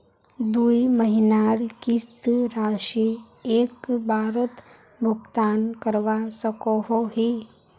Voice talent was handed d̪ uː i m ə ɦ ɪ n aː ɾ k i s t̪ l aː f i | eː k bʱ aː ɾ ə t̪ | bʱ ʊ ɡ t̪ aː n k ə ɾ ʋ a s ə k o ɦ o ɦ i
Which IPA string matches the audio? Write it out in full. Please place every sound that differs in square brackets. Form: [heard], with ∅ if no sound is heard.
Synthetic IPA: d̪ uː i m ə ɦ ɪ n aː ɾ k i s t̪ [ɾ] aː [ʃ] i | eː k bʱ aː ɾ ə t̪ | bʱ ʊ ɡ t̪ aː n k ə ɾ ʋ a s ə k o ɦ o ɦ i